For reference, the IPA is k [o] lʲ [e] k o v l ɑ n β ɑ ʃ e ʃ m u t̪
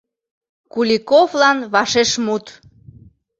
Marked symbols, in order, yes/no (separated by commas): no, no